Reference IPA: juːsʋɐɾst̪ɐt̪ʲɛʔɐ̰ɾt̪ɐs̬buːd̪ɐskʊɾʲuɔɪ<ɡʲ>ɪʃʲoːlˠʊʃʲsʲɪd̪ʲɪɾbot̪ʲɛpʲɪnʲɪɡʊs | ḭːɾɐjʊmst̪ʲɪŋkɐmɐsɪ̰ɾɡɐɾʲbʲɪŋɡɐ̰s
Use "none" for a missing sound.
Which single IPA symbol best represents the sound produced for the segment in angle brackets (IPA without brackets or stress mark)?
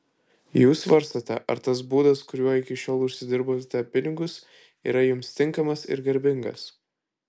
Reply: kʲ